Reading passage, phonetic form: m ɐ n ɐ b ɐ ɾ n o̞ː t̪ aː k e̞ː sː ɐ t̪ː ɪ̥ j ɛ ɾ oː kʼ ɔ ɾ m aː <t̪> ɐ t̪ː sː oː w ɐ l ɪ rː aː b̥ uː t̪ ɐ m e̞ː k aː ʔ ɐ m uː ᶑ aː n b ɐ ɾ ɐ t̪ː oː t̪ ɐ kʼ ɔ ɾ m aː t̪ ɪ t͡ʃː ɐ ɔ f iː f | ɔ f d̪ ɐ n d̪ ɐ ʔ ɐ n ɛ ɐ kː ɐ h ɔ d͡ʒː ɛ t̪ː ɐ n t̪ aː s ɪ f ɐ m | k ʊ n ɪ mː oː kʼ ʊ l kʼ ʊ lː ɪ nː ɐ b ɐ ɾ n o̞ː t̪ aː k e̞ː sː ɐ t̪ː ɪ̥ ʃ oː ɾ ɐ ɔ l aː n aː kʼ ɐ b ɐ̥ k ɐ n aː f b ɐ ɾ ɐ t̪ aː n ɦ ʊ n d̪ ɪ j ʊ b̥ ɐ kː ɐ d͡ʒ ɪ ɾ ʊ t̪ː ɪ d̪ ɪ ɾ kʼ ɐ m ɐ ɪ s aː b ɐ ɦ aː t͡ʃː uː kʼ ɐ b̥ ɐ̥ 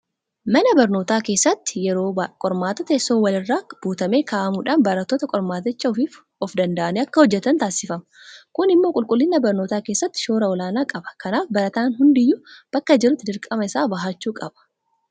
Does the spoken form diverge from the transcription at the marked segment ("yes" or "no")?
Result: no